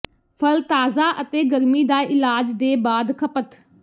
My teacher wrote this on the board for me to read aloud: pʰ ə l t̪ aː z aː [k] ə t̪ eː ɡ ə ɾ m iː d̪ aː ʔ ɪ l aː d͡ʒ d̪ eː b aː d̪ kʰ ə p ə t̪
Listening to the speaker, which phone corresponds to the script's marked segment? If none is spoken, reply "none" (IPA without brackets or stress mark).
ʔ